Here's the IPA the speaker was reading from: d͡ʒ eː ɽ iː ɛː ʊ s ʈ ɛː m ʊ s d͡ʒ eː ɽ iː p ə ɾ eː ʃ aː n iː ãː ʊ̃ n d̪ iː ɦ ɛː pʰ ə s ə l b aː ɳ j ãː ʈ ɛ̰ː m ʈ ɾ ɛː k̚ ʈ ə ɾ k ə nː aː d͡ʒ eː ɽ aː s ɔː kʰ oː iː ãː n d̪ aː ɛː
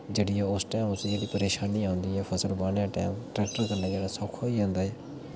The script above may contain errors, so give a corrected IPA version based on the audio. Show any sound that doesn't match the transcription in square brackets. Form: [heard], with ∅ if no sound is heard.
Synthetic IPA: d͡ʒ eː ɽ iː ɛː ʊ s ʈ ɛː m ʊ s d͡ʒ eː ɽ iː p ə ɾ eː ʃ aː n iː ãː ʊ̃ n d̪ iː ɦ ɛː pʰ ə s ə l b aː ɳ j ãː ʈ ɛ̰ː m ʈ ɾ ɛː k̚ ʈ ə ɾ k ə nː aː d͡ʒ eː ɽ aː s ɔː kʰ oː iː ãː n d̪ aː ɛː

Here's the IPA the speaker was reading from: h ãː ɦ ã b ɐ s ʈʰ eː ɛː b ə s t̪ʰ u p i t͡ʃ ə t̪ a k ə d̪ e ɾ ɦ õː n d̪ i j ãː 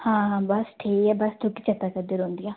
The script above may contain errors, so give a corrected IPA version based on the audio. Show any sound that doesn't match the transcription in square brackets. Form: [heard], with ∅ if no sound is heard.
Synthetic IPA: h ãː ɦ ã b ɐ s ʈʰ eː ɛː b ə s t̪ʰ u [k] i t͡ʃ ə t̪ a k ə d̪ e ɾ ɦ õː n d̪ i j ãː

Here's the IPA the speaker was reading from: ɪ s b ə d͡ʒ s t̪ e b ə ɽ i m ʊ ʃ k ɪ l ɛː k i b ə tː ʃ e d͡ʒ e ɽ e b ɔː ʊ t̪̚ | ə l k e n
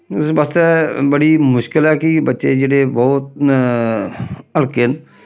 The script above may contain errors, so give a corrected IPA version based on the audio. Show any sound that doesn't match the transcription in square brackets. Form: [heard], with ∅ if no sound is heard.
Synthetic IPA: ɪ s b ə [∅] s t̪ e b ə ɽ i m ʊ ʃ k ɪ l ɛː k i b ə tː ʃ e d͡ʒ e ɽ e b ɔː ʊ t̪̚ | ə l k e n

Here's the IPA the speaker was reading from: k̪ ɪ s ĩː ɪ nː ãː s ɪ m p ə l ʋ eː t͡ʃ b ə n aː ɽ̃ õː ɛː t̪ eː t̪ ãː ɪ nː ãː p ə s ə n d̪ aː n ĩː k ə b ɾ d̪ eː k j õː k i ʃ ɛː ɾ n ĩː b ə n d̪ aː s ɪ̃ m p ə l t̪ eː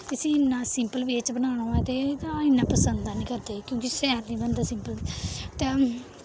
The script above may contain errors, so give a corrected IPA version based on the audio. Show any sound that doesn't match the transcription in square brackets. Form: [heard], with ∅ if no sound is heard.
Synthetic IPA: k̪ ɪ s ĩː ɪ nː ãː s ɪ m p ə l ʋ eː t͡ʃ b ə n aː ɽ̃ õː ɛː t̪ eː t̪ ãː ɪ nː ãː p ə s ə n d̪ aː n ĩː k ə [∅] ɾ d̪ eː k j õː k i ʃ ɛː ɾ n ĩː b ə n d̪ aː s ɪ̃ m p ə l t̪ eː

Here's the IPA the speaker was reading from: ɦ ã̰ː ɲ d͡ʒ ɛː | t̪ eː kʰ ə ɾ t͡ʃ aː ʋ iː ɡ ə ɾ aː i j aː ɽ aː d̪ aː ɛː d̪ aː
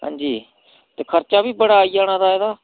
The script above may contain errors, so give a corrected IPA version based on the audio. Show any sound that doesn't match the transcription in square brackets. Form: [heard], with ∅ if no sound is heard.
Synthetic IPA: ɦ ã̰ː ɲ d͡ʒ [iː] | t̪ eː kʰ ə ɾ t͡ʃ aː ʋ iː [b] ə [ɽ] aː i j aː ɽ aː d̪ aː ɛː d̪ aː

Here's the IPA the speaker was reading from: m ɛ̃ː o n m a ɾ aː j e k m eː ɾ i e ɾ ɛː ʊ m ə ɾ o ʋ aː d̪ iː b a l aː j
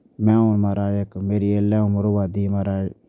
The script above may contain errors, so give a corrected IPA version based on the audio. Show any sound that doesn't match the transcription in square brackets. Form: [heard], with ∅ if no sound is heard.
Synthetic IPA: m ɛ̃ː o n m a ɾ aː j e k m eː ɾ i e [l] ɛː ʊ m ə ɾ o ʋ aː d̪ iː [m] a [ɾ] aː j

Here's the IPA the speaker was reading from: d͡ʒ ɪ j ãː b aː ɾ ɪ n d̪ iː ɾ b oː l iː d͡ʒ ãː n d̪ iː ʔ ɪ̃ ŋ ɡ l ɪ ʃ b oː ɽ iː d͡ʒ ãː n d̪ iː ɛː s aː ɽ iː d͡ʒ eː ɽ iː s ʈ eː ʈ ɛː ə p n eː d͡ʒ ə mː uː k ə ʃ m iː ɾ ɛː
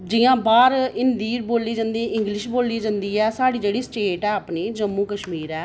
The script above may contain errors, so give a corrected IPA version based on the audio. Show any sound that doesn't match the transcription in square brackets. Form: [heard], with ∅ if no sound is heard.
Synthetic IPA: d͡ʒ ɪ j ãː b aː ɾ ɪ n d̪ iː ɾ b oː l iː d͡ʒ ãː n d̪ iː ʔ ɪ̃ ŋ ɡ l ɪ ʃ b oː [l] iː d͡ʒ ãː n d̪ iː ɛː s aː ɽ iː d͡ʒ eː ɽ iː s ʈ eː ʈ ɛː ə p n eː d͡ʒ ə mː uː k ə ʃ m iː ɾ ɛː

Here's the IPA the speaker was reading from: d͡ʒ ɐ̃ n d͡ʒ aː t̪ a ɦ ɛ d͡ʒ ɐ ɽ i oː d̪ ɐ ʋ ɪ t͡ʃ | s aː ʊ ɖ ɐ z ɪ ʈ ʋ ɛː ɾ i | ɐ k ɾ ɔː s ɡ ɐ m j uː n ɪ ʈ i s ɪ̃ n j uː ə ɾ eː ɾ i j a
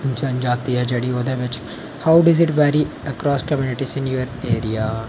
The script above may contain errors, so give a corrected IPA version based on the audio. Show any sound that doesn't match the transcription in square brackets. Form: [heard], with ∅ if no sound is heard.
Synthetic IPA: d͡ʒ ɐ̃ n d͡ʒ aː t̪ [i] ɦ ɛ d͡ʒ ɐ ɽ i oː d̪ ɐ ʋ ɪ t͡ʃ | [h] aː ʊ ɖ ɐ z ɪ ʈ ʋ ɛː ɾ i | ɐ k ɾ ɔː s [k] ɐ m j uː n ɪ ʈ i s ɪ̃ n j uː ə ɾ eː ɾ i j a

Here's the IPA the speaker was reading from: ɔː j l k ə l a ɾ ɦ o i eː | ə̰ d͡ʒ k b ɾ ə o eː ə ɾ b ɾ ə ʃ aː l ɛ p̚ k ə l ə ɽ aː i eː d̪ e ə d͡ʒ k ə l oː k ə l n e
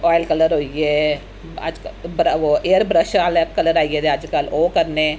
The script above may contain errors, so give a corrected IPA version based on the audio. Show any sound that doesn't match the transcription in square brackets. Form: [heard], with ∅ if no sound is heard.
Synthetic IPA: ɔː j l k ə l [ə] ɾ ɦ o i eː | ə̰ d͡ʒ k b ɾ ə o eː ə ɾ b ɾ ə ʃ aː l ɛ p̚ k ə l ə [ɾ] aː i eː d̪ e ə d͡ʒ k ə l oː k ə [ɾ] n e

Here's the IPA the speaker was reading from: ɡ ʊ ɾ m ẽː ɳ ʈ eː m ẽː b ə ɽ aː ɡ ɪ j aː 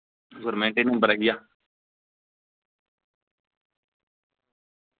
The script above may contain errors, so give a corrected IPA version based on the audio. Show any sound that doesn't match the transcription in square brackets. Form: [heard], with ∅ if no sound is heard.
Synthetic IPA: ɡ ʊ ɾ m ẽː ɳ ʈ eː [n] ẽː b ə [ɾ] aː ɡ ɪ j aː

